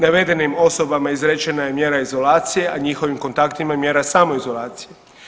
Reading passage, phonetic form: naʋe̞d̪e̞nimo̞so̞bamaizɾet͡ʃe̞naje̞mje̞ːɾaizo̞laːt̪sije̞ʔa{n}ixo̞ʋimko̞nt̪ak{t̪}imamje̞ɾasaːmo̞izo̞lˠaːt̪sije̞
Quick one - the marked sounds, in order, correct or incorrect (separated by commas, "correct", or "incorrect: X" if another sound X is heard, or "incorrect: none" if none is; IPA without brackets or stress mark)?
incorrect: ɲ, correct